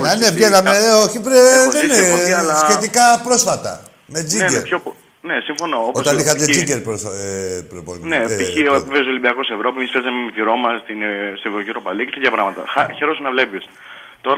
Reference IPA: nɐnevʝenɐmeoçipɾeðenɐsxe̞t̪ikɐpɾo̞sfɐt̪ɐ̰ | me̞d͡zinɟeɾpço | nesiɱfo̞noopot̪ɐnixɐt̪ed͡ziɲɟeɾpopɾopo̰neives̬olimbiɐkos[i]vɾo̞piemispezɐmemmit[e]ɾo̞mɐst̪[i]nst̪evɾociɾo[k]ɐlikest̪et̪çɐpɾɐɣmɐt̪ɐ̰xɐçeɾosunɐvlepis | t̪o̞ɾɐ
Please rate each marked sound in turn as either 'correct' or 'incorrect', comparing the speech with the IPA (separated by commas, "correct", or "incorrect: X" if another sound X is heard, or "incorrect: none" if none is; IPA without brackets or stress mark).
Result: incorrect: e, incorrect: i, correct, incorrect: p